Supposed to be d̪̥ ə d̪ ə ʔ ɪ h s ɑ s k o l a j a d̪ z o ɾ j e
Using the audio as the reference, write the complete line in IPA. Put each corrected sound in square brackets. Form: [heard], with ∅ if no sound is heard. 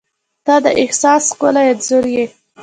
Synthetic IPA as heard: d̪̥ [ɑ] d̪ ə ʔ ɪ h s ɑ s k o l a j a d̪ z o ɾ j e

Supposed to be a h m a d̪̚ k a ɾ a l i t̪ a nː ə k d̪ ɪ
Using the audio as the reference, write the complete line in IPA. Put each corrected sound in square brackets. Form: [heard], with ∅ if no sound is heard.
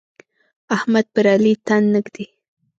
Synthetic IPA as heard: a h m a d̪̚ [p] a ɾ a l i t̪ a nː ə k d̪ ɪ

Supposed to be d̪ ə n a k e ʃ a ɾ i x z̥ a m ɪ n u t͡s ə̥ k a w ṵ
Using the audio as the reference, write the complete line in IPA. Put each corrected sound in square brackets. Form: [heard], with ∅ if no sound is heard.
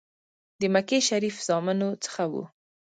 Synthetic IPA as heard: d̪ ə [m] a k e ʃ a ɾ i [f] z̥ [ɑ] m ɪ n [o] t͡s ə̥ [x] a w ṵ

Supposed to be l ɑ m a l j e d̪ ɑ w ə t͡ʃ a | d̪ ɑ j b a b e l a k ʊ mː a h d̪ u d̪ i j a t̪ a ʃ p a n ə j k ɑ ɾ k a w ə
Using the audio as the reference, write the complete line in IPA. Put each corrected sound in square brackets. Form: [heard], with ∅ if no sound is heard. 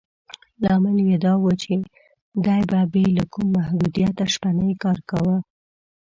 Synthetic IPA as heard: l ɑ m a l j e d̪ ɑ w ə t͡ʃ [e] | d̪ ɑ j b a b e l a k [u] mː a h d̪ u d̪ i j a t̪ a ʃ p a n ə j k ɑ ɾ k a w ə

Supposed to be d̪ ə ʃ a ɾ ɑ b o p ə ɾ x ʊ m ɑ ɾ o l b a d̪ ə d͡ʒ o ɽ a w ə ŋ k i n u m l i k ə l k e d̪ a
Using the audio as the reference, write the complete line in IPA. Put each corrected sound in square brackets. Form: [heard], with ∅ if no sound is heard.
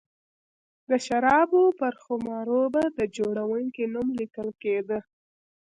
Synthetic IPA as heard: d̪ ə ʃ a ɾ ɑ b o p ə ɾ x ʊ m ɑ ɾ o [∅] b a d̪ ə d͡ʒ o ɽ a w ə ŋ k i n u m l i k ə l k e d̪ [ə]

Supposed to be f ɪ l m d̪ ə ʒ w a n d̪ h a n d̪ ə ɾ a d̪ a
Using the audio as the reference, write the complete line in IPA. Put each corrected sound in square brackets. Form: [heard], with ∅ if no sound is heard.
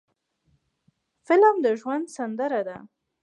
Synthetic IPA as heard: f ɪ l m d̪ ə ʒ w a n d̪ [s] a n d̪ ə ɾ a d̪ a

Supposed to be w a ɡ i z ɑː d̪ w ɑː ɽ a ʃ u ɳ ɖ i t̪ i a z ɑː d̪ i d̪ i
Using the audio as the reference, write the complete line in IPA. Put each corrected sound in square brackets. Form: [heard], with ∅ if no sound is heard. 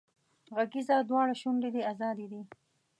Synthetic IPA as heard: [ɣ] a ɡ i z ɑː d̪ w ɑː ɽ a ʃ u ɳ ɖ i [d̪] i a z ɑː d̪ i d̪ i

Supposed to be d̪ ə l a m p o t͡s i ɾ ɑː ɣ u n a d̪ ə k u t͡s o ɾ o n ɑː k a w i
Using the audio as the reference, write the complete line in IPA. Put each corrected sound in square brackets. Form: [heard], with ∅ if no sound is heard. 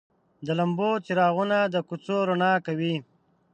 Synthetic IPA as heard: d̪ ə l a m [b] o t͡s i ɾ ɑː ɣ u n a d̪ ə k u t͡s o ɾ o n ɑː k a w i

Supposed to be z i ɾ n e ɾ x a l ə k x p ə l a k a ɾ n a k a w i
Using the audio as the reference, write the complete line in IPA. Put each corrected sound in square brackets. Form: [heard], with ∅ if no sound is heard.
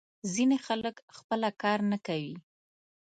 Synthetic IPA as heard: z i [∅] n e [∅] x a l ə k x p ə l a k [ɑ] ɾ n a k a w i

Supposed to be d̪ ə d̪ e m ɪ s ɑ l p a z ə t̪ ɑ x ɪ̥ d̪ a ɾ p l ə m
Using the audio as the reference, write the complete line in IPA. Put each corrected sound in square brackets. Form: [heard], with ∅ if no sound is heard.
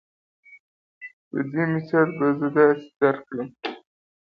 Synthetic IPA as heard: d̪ ə d̪ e m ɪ s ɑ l [b] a z ə [d̪] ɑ [s] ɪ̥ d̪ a ɾ [k] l ə m

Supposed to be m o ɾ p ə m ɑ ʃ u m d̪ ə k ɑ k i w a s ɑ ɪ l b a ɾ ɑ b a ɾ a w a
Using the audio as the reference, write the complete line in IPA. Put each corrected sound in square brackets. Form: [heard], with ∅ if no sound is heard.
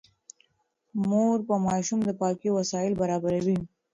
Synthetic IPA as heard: m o ɾ p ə m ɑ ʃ u m d̪ ə [p] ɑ k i w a s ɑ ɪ l b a ɾ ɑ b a ɾ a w [i]

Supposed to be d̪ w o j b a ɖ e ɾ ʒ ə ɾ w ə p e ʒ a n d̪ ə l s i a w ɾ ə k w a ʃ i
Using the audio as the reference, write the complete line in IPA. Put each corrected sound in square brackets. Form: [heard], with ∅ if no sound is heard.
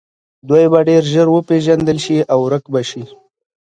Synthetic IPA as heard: d̪ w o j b a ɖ e ɾ ʒ ə ɾ w ə p e ʒ a n d̪ ə l [ʃ] i a w ɾ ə k [b] a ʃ i

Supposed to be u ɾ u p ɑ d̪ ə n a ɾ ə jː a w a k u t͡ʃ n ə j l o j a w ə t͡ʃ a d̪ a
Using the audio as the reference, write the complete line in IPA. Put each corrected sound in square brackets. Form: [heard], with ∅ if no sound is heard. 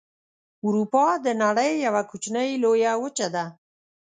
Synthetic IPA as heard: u ɾ u p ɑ d̪ ə n a [ɽ] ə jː a w a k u t͡ʃ n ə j l o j a w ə t͡ʃ a d̪ a

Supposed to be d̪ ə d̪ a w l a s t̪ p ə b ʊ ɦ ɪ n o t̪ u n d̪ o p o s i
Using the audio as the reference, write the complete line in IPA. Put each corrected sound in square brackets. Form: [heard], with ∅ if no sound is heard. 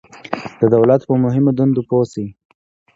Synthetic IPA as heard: d̪ ə d̪ a w l a [∅] t̪ p ə [m] ʊ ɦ ɪ [m] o [d̪] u n d̪ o p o s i

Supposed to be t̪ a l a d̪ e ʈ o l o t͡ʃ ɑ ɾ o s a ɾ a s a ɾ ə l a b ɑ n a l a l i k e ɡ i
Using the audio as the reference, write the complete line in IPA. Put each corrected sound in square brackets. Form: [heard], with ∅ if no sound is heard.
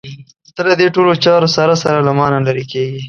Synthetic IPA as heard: t̪ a l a d̪ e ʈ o l o t͡ʃ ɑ ɾ o s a ɾ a s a ɾ [a] l a [m] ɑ n a l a [ɾ] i k e ɡ i

